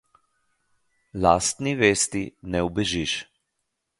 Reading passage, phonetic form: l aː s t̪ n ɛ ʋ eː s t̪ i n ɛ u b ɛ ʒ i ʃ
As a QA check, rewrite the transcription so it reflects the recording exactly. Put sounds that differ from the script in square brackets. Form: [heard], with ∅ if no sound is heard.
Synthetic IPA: l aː s t̪ n [i] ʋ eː s t̪ i n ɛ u b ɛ ʒ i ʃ